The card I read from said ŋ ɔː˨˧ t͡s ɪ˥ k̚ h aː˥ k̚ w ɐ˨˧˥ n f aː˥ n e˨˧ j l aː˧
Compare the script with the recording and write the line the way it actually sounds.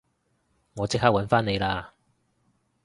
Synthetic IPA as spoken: ŋ ɔː˨˧ t͡s ɪ˥ k̚ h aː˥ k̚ w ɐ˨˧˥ n f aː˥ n e˨˧ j l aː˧